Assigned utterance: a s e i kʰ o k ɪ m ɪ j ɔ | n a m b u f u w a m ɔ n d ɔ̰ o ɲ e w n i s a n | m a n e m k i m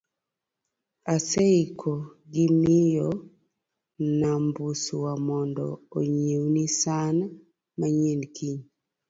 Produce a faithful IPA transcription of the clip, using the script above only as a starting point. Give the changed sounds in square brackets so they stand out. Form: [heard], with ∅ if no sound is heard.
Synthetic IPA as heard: a s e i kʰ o [ɡ] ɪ m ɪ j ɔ | n a m b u [s] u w a m ɔ n d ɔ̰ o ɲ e w n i s a n | m a [ɲ] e [n] k i [ɲ]

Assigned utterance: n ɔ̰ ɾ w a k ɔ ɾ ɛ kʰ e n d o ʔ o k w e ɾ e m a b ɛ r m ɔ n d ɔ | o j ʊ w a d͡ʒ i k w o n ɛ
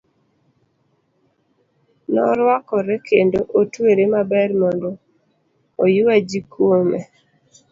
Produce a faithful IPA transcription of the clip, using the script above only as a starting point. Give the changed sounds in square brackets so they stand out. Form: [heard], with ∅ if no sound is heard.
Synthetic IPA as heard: n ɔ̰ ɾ w a k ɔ ɾ ɛ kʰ e n d o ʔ o [t] w e ɾ e m a b ɛ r m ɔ n d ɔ | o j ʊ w a d͡ʒ i k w o [m] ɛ

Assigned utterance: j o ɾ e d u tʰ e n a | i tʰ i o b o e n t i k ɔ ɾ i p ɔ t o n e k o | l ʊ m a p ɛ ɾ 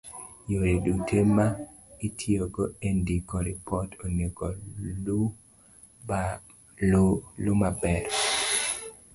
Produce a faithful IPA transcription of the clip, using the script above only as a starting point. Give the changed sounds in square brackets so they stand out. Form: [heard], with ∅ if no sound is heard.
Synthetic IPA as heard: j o ɾ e d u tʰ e [m] a | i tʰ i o [ɡ] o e n [d] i k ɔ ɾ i p ɔ t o n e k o | l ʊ m a [b] ɛ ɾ

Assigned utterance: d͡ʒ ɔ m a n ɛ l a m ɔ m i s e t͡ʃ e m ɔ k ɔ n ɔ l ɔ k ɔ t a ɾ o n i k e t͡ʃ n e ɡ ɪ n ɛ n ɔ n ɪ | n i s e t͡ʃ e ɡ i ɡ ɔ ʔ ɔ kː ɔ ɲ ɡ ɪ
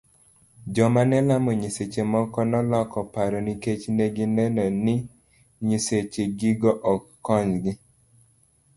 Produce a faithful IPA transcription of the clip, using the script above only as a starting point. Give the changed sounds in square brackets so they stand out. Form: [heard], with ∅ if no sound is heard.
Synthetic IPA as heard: d͡ʒ ɔ m a n ɛ l a m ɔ [ɲ] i s e t͡ʃ e m ɔ k ɔ n ɔ l ɔ k ɔ [p] a ɾ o n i k e t͡ʃ n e ɡ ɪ n ɛ n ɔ n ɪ | [ɲ] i s e t͡ʃ e ɡ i ɡ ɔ ʔ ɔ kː ɔ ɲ ɡ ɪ

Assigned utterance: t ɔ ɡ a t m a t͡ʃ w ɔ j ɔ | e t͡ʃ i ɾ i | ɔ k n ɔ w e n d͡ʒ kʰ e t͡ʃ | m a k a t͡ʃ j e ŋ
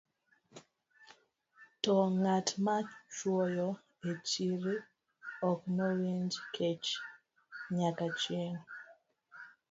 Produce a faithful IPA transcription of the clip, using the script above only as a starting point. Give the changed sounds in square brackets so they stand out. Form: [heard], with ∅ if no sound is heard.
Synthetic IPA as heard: t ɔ [ŋ] a t m a t͡ʃ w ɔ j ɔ | e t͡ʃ i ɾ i | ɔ k n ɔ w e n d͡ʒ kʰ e t͡ʃ | [ɲ] a k a t͡ʃ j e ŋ

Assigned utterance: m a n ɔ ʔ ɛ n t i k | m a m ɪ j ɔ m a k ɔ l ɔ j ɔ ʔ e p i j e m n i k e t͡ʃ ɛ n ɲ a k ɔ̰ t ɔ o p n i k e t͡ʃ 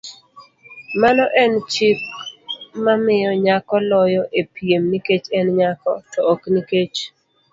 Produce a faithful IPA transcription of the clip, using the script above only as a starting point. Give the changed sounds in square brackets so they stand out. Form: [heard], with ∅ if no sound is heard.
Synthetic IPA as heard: m a n ɔ ʔ ɛ n [t͡ʃ] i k | m a m ɪ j ɔ [ɲ] a k ɔ l ɔ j ɔ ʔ e p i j e m n i k e t͡ʃ ɛ n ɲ a k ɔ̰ t ɔ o [k] n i k e t͡ʃ

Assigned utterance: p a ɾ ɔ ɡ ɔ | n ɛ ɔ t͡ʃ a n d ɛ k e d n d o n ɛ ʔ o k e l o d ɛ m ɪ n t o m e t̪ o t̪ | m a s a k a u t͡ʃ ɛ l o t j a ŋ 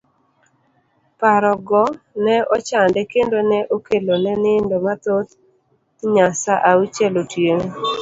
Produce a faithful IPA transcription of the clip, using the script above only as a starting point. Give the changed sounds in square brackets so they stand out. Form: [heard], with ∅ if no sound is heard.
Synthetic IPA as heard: p a ɾ ɔ ɡ ɔ | n ɛ ɔ t͡ʃ a n d ɛ k e [∅] n d o n ɛ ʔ o k e l o [n] ɛ [n] ɪ n [d] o m [a] t̪ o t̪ | [ɲ] a s a [ʔ] a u t͡ʃ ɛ l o t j [e] ŋ

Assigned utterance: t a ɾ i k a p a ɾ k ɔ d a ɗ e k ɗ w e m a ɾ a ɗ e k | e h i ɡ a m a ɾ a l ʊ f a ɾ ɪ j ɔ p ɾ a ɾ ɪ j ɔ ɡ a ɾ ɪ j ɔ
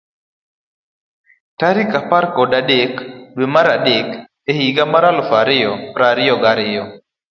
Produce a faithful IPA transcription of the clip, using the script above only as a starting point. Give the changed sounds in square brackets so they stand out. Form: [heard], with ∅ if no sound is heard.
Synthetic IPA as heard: t a ɾ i k a p a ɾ k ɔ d a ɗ e k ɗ w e m a ɾ a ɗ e k | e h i ɡ a m a ɾ a l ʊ f a ɾ ɪ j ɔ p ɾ a ɾ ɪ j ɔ ɡ a ɾ ɪ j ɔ

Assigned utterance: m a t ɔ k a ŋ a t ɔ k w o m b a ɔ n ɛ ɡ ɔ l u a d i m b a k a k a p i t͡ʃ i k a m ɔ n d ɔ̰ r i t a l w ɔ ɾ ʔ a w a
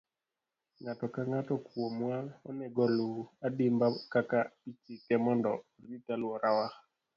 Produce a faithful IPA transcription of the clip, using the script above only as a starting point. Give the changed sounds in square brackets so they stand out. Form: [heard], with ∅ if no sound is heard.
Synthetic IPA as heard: [ŋ] a t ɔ k a ŋ a t ɔ k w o m [w] a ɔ n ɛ ɡ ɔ l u a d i m b a k a k a p i t͡ʃ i k [ɛ] m ɔ n d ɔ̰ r i t a l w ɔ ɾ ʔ a w a

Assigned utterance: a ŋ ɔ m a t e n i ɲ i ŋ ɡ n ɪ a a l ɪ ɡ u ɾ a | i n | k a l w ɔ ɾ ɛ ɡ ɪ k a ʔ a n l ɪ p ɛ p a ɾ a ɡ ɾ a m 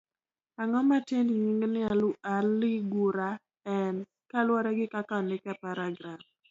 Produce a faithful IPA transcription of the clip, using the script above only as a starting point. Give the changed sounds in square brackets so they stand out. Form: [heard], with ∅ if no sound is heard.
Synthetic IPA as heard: a ŋ ɔ m a t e n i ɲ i ŋ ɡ n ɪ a a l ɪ ɡ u ɾ a | [ɛ] n | k a l w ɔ ɾ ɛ ɡ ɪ k a [k] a n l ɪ [k] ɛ p a ɾ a ɡ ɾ a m

